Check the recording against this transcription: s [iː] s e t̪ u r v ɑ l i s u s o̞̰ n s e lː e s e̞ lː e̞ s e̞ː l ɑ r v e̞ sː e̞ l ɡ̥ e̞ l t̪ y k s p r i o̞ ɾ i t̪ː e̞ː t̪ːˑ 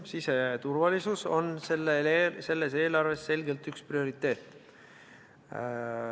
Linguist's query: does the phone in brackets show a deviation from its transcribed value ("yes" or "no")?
yes